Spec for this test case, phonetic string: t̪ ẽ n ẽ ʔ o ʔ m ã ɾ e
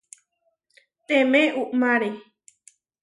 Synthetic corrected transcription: t̪ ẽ m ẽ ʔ u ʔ m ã ɾ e